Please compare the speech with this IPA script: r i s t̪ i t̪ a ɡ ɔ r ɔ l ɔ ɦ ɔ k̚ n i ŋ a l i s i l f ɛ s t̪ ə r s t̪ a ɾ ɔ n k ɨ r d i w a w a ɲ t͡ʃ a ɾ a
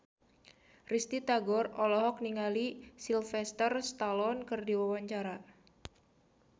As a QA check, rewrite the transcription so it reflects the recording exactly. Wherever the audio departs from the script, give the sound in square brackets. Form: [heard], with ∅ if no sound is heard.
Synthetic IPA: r i s t̪ i t̪ a ɡ ɔ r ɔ l ɔ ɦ ɔ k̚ n i ŋ a l i s i l f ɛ s t̪ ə r s t̪ a [l] ɔ n k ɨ r d i w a w a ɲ t͡ʃ a ɾ a